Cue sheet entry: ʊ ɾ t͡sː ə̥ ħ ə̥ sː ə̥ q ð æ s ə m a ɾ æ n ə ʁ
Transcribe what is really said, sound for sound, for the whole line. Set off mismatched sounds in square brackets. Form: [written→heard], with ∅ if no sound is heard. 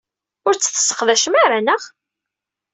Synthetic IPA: ʊ ɾ t͡sː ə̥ [ħ→θ] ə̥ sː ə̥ q ð æ [s→ʃ] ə m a ɾ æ n ə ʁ